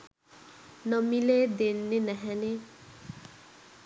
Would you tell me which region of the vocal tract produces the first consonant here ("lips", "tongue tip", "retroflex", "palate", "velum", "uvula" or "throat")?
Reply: tongue tip